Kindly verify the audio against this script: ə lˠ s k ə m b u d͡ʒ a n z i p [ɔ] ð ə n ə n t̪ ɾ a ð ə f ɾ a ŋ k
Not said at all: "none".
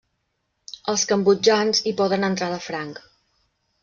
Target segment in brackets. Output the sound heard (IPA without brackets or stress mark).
ɔ